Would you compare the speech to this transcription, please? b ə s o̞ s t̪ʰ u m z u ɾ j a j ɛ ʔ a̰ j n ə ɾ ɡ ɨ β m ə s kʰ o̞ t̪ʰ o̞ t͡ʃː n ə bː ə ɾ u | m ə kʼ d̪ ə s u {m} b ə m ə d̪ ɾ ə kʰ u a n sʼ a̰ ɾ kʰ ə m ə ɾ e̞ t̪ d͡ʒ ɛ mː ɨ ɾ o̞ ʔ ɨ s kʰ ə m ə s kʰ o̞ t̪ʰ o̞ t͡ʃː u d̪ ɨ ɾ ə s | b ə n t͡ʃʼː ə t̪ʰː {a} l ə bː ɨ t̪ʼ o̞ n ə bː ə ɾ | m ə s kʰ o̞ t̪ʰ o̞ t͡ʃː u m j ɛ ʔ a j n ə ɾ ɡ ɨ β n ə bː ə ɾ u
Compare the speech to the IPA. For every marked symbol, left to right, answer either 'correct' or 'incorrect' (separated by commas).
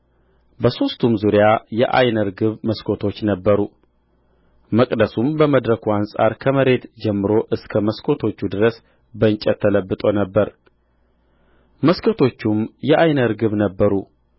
correct, incorrect